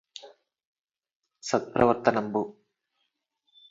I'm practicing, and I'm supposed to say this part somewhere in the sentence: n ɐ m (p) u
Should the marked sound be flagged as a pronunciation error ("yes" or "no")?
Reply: yes